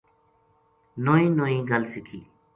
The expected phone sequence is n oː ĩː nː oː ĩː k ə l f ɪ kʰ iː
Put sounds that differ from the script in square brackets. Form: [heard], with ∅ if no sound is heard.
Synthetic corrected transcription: n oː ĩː [n] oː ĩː [ɡ] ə l [s] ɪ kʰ iː

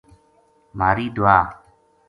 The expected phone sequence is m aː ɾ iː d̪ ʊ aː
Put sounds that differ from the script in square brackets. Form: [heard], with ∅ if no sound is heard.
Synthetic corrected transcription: m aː ɾ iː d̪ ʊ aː

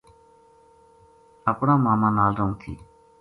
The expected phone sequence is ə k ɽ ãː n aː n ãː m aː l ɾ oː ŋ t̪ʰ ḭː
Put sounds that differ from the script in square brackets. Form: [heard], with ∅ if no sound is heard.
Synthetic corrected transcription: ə [p] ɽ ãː [m] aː [m] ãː [n] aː l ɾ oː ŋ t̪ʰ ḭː

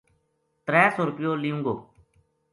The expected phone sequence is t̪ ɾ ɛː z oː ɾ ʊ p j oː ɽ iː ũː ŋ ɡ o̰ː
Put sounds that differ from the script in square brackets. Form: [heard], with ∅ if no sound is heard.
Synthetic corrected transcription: t̪ ɾ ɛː [s] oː ɾ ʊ p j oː [l] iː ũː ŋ ɡ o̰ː

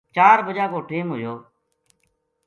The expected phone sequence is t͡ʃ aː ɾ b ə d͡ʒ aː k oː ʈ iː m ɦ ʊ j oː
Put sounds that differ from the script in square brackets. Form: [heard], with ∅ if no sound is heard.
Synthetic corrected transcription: t͡ʃ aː ɾ b ə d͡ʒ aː k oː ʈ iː m ɦ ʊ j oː

